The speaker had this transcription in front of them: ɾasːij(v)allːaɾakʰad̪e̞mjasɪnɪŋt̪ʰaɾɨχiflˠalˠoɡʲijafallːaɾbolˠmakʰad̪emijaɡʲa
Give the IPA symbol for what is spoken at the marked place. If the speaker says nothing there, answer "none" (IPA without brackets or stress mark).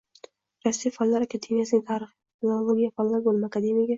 f